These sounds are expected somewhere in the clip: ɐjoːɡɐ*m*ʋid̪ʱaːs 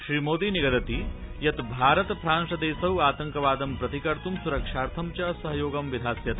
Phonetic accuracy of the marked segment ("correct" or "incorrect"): correct